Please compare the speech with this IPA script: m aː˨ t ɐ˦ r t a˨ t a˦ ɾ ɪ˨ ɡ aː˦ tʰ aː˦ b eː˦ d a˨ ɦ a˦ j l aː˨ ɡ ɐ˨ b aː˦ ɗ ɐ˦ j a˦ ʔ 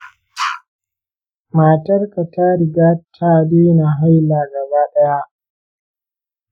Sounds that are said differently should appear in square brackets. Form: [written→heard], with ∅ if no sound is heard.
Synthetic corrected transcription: m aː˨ t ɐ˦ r [t→k] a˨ t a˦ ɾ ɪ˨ ɡ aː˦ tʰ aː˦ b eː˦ [d→n] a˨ ɦ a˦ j l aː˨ ɡ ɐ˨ b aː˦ ɗ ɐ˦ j a˦ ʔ